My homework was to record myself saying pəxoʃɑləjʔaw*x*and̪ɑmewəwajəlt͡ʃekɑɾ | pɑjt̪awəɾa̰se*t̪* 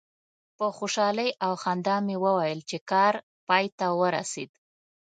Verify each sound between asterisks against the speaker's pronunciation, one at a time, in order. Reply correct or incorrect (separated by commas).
correct, incorrect